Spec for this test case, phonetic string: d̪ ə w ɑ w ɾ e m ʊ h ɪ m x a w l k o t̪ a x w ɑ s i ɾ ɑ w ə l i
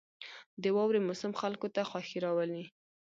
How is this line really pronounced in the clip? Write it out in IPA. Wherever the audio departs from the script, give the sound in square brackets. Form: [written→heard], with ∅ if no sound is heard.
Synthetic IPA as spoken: d̪ ə w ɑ w ɾ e m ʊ [h→s] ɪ m x a [w→∅] l k o t̪ a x w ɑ [s→x] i ɾ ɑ w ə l i

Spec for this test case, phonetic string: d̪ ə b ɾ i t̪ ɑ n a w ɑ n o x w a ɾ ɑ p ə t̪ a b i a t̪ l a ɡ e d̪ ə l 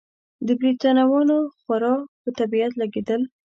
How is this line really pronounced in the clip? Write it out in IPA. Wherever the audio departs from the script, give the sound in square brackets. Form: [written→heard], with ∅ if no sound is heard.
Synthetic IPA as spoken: d̪ ə b ɾ i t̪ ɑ n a w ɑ n o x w a ɾ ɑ p ə t̪ a b i a t̪ l a ɡ e d̪ ə l

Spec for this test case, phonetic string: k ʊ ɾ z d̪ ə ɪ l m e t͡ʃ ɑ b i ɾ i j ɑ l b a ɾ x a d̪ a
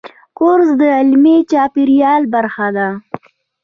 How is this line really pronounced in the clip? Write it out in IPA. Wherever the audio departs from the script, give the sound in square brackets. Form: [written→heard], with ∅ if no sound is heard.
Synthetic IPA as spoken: k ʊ ɾ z d̪ ə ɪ l m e t͡ʃ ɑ [b→p] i ɾ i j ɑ l b a ɾ x a d̪ a

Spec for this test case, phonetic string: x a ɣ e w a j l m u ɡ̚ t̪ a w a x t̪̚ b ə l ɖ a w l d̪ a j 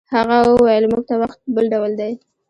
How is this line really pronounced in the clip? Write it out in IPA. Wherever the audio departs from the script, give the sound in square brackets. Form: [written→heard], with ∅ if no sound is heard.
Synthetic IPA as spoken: [x→h] a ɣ [e→a] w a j l m u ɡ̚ t̪ a w a x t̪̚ b ə l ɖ a w l d̪ a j

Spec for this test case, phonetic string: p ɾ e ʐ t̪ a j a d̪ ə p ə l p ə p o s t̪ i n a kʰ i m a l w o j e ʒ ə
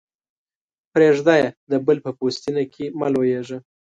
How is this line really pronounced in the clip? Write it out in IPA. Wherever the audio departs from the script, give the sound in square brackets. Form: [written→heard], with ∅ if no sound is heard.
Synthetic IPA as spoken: p ɾ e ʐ [t̪→d̪] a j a d̪ ə [p→b] ə l p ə p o s t̪ i n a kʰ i m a l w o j e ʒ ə

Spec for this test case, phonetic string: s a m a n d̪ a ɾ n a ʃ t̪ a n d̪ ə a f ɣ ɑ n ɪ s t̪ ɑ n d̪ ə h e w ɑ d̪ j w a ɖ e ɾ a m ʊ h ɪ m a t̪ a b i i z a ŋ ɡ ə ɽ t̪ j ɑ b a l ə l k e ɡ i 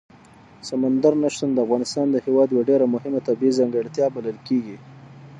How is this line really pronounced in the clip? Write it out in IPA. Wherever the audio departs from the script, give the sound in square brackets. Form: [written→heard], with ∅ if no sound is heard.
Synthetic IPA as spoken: s a m a n d̪ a ɾ n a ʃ t̪ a n d̪ ə a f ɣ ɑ n ɪ s t̪ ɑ n d̪ ə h e w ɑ d̪ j w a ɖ e ɾ a m ʊ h ɪ m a t̪ a b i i z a ŋ ɡ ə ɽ t̪ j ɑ b a l ə l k e ɡ i

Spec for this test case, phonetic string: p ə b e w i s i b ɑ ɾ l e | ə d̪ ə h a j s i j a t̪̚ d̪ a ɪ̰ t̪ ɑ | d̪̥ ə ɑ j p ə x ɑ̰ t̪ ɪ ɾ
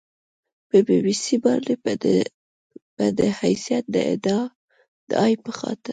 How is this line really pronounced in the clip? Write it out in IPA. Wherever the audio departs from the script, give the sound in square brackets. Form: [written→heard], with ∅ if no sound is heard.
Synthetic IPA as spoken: p ə b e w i s i b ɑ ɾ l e | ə d̪ ə h a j s i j a t̪̚ d̪ [a→ə] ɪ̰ [t̪→d̪] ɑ | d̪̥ ə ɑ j p ə x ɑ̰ t̪ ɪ ɾ

